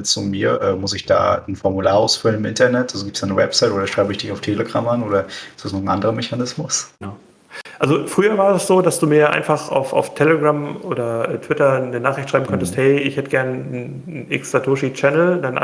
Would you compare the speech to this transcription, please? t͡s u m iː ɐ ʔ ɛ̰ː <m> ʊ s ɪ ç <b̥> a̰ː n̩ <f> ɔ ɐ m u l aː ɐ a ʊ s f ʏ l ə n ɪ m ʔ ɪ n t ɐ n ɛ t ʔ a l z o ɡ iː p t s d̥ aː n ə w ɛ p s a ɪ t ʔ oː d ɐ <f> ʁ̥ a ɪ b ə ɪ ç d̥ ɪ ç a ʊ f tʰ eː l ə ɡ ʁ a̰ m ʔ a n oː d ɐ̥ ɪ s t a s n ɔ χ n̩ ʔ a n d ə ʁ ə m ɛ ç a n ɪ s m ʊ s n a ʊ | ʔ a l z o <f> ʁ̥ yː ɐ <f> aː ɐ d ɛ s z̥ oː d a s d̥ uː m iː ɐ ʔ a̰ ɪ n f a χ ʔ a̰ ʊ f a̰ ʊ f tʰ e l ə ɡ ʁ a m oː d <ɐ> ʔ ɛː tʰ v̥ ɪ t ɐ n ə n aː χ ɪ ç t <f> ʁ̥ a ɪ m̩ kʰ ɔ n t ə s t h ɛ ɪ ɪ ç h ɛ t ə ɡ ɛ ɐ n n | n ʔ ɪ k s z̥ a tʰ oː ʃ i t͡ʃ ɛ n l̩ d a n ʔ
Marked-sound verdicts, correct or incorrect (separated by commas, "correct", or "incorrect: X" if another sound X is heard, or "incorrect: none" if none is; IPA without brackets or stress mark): correct, incorrect: d̥, correct, incorrect: ʃ, correct, incorrect: v, correct, incorrect: ʃ